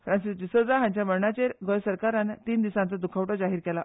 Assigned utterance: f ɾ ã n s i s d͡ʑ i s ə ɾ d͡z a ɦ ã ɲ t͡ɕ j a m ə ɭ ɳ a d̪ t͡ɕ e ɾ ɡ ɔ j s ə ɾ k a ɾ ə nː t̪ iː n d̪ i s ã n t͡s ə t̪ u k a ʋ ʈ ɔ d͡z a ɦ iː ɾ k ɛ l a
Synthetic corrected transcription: f ɾ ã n s i s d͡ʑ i s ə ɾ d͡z a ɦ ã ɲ t͡ɕ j a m ə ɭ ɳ a t͡ɕ e ɾ ɡ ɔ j s ə ɾ k a ɾ a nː t̪ iː n d̪ i s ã n t͡s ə d̪ u kʰ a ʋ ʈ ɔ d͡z a ɦ iː ɾ k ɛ l a